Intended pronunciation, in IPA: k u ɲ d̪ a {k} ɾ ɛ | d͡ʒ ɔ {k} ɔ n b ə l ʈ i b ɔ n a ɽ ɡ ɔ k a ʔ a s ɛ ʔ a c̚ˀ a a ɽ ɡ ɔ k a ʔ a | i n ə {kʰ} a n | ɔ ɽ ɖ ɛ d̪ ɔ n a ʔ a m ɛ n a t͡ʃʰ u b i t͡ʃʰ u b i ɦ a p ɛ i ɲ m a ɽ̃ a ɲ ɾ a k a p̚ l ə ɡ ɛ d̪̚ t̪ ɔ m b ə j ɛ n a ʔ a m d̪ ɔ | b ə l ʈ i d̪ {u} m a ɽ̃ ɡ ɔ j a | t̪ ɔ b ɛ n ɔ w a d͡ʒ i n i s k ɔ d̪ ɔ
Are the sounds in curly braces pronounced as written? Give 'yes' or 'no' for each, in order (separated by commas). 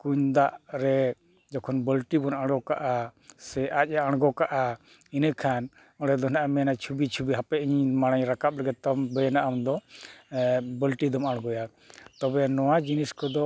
no, no, yes, no